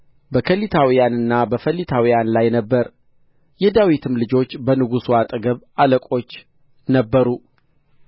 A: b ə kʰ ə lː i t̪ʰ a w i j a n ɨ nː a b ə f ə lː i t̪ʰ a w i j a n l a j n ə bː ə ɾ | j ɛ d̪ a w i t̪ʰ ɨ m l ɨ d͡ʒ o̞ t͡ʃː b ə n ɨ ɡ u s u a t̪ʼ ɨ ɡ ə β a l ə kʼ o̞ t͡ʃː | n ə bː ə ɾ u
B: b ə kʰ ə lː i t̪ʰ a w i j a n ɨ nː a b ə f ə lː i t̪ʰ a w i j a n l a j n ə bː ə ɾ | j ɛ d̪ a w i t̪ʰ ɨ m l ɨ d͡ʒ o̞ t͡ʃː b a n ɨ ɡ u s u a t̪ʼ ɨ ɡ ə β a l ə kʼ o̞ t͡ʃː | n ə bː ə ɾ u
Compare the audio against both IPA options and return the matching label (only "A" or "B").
A